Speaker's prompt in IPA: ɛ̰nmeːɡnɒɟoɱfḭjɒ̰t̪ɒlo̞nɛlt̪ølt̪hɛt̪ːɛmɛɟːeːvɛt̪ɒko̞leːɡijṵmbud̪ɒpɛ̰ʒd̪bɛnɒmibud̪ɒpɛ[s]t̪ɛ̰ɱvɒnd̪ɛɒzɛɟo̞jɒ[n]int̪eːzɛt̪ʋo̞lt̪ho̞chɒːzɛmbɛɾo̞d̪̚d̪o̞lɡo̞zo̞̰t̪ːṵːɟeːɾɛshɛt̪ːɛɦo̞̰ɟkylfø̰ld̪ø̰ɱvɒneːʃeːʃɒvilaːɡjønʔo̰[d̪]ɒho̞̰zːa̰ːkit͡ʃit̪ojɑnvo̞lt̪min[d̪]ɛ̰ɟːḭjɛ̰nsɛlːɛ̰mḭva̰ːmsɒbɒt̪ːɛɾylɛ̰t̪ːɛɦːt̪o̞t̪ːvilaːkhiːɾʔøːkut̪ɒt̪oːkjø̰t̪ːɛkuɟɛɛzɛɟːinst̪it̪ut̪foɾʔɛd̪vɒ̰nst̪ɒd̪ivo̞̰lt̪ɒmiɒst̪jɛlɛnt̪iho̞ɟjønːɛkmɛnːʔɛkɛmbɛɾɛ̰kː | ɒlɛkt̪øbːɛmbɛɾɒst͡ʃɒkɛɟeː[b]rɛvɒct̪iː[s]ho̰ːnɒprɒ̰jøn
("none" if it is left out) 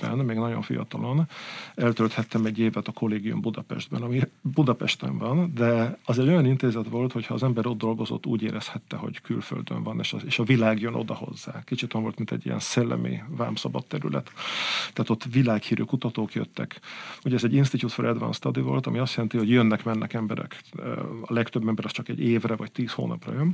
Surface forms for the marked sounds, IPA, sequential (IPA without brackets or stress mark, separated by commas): ʃ, n, d̪, t̪, v, s